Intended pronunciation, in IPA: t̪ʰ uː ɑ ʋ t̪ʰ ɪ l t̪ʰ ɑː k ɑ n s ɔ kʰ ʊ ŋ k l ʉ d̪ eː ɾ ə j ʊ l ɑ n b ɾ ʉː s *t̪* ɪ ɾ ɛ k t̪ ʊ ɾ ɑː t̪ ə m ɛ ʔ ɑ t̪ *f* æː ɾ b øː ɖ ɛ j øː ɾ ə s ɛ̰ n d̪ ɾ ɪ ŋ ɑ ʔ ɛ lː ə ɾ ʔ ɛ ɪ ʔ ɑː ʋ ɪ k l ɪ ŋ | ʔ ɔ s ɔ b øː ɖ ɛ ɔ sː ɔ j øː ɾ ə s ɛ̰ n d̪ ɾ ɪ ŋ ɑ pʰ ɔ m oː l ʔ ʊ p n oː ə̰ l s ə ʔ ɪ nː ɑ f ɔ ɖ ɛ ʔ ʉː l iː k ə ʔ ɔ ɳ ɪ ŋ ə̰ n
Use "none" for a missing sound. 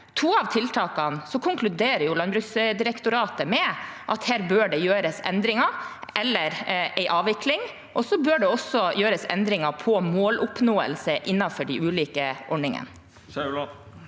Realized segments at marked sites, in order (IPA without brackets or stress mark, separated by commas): d̪, h